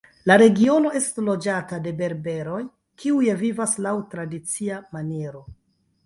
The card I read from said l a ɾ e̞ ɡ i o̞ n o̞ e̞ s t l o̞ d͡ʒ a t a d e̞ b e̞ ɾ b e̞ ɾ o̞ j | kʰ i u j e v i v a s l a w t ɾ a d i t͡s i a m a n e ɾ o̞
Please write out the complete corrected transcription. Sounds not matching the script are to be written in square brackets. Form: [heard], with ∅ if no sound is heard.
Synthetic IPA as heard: l a ɾ e̞ ɡ i o̞ n o̞ e̞ s t l o̞ d͡ʒ a t a d e̞ b e̞ ɾ b e̞ ɾ o̞ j | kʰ i u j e v i v a s l a w t ɾ a d i t͡s i a m a n e ɾ o̞